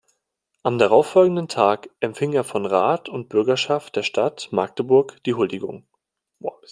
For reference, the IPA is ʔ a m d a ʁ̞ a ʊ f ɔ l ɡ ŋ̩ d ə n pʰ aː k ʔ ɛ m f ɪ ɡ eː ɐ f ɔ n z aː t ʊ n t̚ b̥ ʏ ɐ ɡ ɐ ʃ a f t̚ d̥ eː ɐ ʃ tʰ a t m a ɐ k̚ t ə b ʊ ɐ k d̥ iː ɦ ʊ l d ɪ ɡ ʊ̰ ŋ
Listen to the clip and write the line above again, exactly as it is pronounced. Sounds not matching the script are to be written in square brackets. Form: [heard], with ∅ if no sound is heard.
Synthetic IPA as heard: ʔ a m d a ʁ̞ a ʊ f ɔ l ɡ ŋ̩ d ə n [tʰ] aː k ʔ ɛ m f ɪ [ŋ] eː ɐ f ɔ n [ʁ] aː t ʊ n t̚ b̥ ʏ ɐ ɡ ɐ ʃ a f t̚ d̥ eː ɐ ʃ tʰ a t m a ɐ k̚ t ə b ʊ ɐ k d̥ iː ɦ ʊ l d ɪ ɡ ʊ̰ ŋ